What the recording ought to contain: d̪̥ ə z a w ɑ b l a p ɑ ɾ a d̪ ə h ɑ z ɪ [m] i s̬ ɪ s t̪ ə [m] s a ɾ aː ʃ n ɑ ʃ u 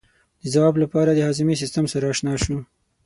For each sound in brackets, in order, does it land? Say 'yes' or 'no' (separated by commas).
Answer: yes, yes